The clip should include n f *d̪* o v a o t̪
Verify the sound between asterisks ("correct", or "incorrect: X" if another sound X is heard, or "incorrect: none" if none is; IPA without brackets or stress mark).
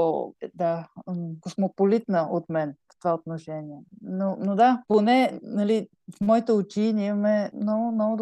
incorrect: t̪